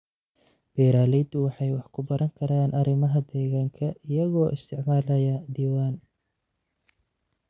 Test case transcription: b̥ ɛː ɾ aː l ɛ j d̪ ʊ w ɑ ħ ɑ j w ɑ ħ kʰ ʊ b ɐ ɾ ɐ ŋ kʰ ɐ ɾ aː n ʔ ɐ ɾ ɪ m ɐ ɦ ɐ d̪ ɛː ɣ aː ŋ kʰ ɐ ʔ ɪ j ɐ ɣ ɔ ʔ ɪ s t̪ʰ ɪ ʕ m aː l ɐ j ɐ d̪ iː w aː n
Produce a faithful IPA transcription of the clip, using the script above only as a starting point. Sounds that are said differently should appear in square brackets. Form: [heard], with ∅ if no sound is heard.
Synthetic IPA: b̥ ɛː ɾ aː l ɛ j d̪ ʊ w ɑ ħ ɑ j w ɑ ħ kʰ ʊ b ɐ ɾ ɐ ŋ kʰ ɐ ɾ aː n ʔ ɐ ɾ ɪ m ɐ ɦ ɐ d̪ ɛː ɣ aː ŋ kʰ ɐ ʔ ɪ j ɐ ɣ [ɔː] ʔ ɪ s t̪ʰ ɪ ʕ m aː l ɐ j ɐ d̪ iː w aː n